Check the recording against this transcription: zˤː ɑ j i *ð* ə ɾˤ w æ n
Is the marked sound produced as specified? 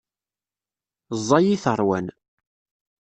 no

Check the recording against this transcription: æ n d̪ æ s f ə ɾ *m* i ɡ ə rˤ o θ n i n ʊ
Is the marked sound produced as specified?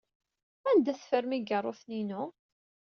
yes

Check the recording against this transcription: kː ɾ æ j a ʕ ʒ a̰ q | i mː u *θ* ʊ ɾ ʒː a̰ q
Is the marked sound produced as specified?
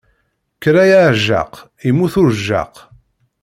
yes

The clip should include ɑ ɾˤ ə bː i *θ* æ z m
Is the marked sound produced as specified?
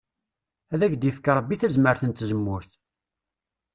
yes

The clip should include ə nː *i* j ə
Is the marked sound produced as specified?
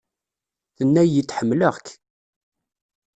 no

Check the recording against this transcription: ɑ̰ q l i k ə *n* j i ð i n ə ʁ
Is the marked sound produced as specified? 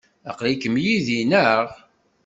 no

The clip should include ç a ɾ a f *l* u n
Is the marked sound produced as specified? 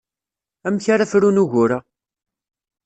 no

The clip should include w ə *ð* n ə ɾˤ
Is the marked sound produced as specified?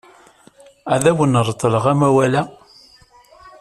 no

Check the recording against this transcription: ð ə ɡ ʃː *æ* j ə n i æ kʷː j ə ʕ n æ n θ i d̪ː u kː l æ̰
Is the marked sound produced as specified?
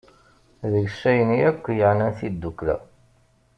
yes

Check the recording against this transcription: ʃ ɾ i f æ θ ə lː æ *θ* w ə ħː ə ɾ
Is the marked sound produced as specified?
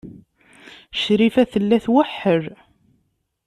yes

